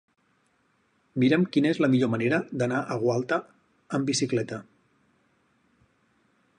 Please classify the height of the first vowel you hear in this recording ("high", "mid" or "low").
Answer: high